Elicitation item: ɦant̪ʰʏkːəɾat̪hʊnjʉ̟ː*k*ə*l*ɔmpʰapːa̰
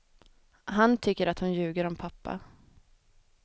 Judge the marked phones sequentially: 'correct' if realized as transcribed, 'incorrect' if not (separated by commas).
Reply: incorrect, incorrect